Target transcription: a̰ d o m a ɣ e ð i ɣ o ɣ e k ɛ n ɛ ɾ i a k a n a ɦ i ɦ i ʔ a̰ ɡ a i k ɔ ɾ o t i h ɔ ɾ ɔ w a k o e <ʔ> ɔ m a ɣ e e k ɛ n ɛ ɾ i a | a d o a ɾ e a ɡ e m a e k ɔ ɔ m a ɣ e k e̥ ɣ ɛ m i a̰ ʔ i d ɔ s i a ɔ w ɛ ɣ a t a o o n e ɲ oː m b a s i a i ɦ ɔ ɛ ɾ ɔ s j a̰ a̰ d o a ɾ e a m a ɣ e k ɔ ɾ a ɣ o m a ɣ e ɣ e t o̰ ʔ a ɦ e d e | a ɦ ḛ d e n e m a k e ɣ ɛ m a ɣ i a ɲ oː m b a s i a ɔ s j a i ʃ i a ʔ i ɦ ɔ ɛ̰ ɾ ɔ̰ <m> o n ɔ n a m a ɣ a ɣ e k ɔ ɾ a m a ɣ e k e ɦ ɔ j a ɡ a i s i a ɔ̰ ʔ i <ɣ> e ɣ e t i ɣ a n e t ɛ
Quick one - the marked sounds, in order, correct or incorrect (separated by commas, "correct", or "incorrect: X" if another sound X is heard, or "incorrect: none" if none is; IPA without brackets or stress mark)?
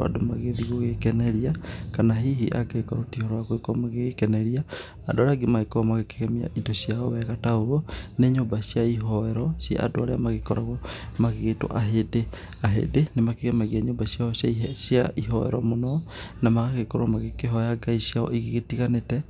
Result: incorrect: k, correct, correct